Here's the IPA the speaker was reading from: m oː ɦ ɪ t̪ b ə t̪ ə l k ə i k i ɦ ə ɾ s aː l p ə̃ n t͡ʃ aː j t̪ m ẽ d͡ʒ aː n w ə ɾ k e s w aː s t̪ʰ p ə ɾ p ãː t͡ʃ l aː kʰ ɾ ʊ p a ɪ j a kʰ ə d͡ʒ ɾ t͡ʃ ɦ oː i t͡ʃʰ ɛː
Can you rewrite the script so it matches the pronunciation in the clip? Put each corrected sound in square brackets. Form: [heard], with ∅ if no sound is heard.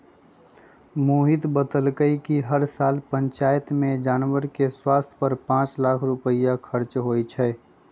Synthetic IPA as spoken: m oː ɦ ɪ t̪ b ə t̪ ə l k ə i k i ɦ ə ɾ s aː l p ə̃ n t͡ʃ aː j t̪ m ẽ d͡ʒ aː n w ə ɾ k e s w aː s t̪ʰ p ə ɾ p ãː t͡ʃ l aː kʰ ɾ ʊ p [ə] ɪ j a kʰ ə [∅] ɾ t͡ʃ ɦ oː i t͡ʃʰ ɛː

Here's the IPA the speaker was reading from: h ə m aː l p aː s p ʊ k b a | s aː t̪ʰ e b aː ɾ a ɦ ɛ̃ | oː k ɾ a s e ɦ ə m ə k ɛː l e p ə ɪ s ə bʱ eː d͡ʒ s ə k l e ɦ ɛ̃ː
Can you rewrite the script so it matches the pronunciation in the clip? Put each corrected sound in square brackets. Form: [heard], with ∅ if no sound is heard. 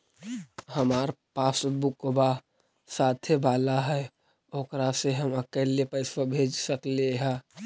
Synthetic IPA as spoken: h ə m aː [ɾ] p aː s [b] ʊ k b a | s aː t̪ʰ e b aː [l] a ɦ [ɛ] | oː k ɾ a s e ɦ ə m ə k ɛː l e p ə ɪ s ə bʱ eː d͡ʒ s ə k l e ɦ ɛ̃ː

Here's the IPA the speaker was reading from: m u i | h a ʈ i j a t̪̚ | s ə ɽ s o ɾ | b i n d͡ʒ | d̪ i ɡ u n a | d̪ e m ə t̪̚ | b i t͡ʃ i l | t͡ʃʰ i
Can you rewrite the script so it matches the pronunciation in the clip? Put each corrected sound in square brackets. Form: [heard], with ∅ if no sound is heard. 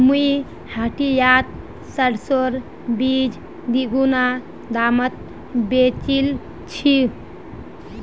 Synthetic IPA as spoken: m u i | h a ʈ i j a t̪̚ | s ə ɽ s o ɾ | b i [∅] d͡ʒ | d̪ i ɡ u n a | d̪ [a] m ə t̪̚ | b [e] t͡ʃ i l | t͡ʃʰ i

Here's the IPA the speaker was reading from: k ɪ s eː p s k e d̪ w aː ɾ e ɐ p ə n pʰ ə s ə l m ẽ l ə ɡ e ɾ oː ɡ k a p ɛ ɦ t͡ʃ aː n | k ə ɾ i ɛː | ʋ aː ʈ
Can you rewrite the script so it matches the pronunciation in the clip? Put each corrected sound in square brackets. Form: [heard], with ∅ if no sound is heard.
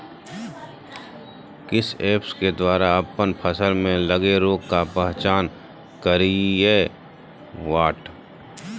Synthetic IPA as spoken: k ɪ s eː p s k e d̪ w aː ɾ [a] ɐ p ə n pʰ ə s ə l m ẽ l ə ɡ e ɾ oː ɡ k a p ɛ ɦ t͡ʃ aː n | k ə ɾ i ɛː | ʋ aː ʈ

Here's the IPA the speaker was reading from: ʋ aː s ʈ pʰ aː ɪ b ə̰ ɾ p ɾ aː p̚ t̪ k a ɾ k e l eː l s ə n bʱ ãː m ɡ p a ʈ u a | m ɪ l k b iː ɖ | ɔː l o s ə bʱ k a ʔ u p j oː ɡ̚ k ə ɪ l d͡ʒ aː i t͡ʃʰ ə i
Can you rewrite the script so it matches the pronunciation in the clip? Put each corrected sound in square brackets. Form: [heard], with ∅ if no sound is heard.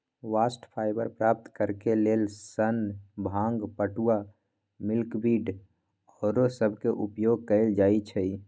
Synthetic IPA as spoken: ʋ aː s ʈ pʰ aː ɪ b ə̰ ɾ p ɾ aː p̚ t̪ k [ə] ɾ k e l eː l s ə n bʱ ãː [ŋ] ɡ p [ə] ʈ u a | m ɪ l k b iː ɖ | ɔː [ɾ] o s ə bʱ k [e] ʔ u p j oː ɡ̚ k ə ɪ l d͡ʒ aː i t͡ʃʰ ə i

